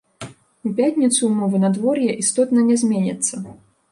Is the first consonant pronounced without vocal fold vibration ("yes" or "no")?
yes